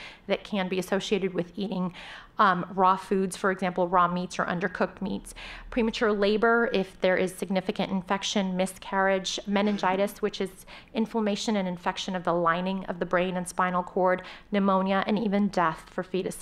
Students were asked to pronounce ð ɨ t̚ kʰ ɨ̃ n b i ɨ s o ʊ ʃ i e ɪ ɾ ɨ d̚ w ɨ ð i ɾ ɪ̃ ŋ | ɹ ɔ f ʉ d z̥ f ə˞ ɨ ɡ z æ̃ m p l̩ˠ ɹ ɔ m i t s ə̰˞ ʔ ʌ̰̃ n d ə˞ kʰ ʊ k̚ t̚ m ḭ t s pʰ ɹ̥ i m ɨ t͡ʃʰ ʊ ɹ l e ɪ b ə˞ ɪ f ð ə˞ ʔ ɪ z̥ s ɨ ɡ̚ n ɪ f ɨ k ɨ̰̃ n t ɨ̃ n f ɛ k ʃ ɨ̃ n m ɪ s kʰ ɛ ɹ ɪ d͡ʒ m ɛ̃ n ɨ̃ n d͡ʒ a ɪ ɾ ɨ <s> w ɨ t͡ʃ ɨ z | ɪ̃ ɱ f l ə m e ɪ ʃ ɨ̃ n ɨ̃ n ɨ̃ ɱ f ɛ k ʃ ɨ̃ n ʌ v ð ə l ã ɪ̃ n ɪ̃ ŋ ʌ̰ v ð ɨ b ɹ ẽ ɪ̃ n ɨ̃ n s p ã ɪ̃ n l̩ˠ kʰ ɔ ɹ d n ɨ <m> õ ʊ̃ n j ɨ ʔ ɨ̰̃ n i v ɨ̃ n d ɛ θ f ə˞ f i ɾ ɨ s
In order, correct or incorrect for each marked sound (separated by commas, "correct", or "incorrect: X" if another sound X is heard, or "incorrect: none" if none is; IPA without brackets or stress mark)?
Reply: correct, correct